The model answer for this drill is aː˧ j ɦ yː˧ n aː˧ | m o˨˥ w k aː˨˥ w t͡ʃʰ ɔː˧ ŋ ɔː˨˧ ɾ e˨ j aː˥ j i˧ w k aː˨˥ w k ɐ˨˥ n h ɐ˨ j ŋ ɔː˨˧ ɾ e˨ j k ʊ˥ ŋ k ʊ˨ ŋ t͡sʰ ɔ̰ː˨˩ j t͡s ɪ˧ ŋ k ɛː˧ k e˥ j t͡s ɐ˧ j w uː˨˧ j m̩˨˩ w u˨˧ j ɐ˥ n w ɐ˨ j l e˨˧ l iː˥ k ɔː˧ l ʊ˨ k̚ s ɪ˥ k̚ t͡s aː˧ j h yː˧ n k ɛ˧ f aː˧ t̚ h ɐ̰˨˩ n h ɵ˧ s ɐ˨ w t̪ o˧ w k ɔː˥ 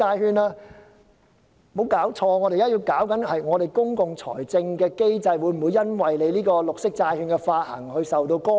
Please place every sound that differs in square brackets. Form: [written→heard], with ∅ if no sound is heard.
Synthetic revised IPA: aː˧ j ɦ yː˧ n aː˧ | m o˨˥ w k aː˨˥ w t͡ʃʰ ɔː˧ ŋ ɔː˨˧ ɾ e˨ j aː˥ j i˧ w k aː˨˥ w k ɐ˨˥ n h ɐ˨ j ŋ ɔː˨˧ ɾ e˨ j k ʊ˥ ŋ k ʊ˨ ŋ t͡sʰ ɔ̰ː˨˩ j t͡s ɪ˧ ŋ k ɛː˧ k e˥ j t͡s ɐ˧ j w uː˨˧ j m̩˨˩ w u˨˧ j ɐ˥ n w ɐ˨ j l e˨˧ l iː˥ k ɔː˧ l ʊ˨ k̚ s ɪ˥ k̚ t͡s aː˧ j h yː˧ n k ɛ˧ f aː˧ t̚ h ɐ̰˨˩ [n→ŋ] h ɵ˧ s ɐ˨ w t̪ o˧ w k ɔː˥